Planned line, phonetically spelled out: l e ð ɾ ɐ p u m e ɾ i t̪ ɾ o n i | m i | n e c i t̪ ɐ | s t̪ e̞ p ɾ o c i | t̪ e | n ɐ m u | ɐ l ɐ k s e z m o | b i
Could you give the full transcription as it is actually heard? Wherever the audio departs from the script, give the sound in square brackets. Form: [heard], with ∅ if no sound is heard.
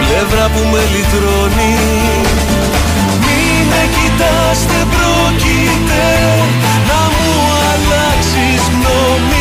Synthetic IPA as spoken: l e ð ɾ ɐ p u m e [l] i t̪ ɾ o n i | m i | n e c i t̪ ɐ | s t̪ e̞ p ɾ o c i | t̪ e | n ɐ m u | ɐ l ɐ k s [i] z [n] o | [m] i